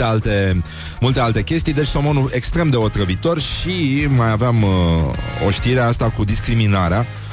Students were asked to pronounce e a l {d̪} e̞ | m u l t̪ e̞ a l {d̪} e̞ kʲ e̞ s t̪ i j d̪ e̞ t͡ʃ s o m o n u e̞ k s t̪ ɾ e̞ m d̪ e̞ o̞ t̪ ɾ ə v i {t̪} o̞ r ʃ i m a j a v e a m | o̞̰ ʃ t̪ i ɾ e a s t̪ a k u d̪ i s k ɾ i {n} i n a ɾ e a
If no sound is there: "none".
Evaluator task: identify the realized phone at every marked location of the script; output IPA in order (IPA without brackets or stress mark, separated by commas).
t̪, t̪, t̪, m